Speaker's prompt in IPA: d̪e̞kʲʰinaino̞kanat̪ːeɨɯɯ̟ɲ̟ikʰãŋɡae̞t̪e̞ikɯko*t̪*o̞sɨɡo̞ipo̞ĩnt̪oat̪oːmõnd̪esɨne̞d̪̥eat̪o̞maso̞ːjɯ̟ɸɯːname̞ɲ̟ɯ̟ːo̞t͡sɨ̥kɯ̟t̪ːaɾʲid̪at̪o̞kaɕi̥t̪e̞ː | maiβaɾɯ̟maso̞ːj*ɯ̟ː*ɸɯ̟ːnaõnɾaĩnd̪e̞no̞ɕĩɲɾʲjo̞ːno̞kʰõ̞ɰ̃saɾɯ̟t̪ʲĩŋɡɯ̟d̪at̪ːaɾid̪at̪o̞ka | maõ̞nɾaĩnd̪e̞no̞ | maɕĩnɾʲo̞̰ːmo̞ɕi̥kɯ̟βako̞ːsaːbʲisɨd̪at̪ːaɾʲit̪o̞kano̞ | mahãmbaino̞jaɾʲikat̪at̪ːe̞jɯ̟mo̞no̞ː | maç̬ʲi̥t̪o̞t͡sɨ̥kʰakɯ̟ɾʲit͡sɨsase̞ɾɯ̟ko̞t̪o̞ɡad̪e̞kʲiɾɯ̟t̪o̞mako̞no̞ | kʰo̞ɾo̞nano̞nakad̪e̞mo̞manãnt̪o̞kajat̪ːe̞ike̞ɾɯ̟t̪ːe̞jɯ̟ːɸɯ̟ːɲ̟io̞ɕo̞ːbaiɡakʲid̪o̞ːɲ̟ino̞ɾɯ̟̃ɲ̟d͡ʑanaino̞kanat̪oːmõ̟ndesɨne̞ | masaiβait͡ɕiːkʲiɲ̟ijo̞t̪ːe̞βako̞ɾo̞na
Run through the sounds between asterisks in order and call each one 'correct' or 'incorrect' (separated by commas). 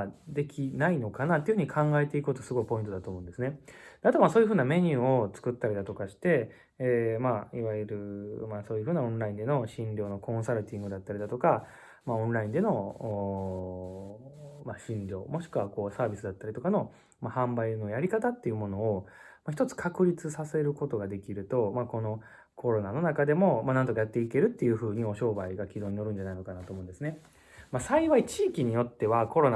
correct, incorrect